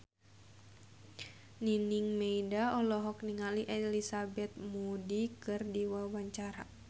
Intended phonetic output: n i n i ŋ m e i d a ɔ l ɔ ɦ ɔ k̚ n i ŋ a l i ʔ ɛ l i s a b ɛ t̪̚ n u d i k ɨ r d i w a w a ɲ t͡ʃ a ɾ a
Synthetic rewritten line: n i n i ŋ m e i d a ɔ l ɔ ɦ ɔ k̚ n i ŋ a l i ʔ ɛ l i s a b ɛ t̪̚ m u d i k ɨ r d i w a w a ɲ t͡ʃ a ɾ a